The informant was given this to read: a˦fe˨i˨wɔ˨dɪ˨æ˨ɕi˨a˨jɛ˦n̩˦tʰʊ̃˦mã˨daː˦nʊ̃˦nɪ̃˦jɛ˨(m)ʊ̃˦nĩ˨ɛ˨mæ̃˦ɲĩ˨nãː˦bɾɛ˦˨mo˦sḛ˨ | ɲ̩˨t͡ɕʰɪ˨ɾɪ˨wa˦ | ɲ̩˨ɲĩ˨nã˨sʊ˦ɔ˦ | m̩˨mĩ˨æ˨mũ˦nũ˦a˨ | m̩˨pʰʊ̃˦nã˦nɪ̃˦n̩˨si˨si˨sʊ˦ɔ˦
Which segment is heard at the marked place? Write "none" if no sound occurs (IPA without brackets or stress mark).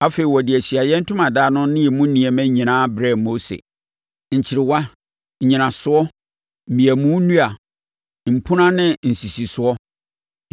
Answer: m